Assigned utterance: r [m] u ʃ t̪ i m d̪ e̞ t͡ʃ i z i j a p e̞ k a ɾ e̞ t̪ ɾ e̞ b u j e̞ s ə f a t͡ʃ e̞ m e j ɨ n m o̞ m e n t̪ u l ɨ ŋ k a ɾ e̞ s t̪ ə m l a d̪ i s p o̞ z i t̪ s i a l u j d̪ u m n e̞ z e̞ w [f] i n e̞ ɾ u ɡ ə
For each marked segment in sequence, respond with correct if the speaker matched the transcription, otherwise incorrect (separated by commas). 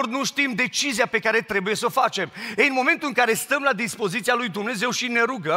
incorrect, incorrect